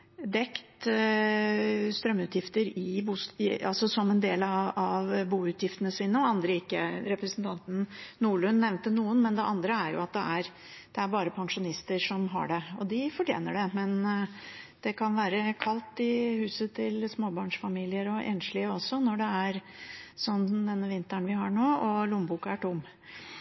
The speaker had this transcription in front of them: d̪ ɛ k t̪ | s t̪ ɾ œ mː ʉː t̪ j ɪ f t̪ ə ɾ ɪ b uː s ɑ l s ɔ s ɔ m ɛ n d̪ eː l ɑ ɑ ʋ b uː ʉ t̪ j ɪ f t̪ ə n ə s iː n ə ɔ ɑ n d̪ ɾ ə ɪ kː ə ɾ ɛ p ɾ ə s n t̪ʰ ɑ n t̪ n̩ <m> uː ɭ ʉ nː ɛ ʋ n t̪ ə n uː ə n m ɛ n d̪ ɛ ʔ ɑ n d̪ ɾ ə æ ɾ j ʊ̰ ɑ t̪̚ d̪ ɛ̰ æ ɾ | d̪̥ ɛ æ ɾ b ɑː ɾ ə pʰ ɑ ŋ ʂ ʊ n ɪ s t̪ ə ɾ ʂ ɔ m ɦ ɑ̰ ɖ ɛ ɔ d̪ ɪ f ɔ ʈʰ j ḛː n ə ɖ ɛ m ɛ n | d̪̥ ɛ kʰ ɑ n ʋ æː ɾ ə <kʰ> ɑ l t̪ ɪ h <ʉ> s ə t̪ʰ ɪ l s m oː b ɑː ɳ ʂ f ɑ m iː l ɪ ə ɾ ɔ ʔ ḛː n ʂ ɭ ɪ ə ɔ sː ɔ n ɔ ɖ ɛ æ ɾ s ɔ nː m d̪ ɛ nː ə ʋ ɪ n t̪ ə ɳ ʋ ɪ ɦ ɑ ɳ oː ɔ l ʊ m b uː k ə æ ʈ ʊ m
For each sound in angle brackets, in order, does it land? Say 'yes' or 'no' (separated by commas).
no, yes, no